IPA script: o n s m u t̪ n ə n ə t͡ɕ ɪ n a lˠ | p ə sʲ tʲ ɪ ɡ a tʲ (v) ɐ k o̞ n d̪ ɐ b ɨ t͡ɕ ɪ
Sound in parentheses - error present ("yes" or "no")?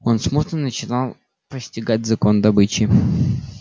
yes